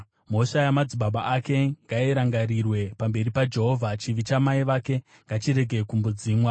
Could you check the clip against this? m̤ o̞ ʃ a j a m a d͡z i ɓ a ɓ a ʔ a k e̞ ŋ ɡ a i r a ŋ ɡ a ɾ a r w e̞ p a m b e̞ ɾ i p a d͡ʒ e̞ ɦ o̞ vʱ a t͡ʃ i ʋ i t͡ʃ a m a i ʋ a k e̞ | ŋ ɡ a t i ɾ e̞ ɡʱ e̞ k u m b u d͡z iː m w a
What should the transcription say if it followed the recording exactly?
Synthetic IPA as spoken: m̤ o̞ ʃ a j a m a d͡z i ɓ a ɓ a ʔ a k e̞ ŋ ɡ a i ɾ a ŋ ɡ a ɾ i r w e̞ p a m b e̞ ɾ i p a d͡ʒ e̞ ɦ o̞ vʱ a t͡ʃ i ʋ i t͡ʃ a m a i ʋ a k e̞ | ŋ ɡ a t͡ʃ i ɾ e̞ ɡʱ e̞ k u m b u d͡z iː m w a